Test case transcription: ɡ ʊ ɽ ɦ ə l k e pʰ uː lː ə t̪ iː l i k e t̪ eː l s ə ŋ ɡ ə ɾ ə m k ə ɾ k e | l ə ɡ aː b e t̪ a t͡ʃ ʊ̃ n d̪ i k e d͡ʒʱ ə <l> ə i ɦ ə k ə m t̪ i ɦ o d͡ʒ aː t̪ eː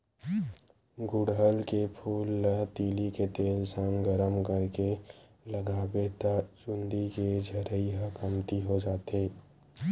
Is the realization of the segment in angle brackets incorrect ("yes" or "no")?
yes